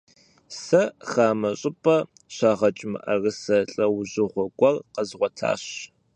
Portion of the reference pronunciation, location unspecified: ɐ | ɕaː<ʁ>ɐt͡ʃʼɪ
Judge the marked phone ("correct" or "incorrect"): correct